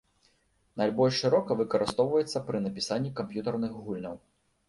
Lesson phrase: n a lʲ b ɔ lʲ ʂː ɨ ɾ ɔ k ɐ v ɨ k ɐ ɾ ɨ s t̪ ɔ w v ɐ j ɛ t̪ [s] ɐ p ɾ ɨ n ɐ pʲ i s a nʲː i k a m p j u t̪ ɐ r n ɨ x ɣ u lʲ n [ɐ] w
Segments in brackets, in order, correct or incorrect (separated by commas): incorrect, correct